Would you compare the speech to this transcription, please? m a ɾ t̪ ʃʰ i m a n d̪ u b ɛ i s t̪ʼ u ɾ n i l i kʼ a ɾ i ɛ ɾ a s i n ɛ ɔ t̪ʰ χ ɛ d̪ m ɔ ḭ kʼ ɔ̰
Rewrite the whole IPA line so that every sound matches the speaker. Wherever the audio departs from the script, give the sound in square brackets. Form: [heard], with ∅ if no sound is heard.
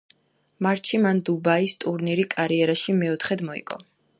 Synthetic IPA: m a ɾ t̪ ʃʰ i m a n d̪ u b [a] i s t̪ʼ u ɾ n i [ɾ] i kʼ a ɾ i ɛ ɾ a [ʃ] i [m] ɛ ɔ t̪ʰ χ ɛ d̪ m ɔ ḭ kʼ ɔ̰